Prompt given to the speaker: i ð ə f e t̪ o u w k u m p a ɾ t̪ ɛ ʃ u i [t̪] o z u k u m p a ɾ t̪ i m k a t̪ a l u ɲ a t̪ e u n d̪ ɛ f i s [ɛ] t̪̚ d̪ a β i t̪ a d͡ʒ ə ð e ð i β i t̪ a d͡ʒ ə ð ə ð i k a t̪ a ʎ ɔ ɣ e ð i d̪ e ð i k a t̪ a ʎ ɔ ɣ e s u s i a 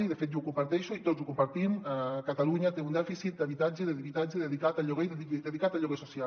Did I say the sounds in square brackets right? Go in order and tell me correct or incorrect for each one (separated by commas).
correct, incorrect